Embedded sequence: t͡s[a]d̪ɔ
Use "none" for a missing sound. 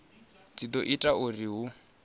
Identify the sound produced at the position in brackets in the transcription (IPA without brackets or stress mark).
i